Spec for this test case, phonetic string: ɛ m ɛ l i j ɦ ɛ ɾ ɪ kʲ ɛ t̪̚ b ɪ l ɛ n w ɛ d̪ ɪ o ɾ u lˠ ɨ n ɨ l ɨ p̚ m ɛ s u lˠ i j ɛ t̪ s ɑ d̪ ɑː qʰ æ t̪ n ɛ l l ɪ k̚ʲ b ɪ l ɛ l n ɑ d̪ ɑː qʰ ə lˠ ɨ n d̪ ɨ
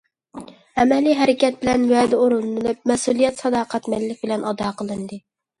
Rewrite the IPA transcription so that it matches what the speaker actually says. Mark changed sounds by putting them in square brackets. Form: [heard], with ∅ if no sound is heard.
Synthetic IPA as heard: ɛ m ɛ l i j ɦ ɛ ɾ ɪ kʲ ɛ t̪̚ b ɪ l ɛ n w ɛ d̪ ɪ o ɾ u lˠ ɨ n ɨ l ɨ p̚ m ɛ s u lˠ i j ɛ t̪ s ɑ d̪ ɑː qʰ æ t̪ [m] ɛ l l ɪ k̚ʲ b ɪ l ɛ [∅] n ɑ d̪ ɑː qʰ ə lˠ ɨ n d̪ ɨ